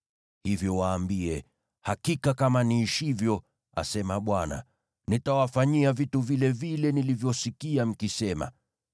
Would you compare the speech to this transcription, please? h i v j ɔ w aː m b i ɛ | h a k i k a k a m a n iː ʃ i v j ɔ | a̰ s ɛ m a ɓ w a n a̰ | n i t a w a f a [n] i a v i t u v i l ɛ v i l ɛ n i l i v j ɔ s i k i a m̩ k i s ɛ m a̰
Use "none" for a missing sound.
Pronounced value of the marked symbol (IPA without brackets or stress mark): ɲ